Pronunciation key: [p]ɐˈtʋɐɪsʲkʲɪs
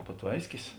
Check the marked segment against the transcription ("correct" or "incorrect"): correct